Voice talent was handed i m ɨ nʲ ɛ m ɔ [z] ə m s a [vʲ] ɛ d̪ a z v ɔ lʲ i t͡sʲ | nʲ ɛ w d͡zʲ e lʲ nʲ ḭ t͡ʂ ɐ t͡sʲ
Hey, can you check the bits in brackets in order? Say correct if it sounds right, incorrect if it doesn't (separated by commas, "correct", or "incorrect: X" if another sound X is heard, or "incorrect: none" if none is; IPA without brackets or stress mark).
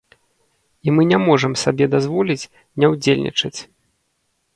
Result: incorrect: ʐ, incorrect: bʲ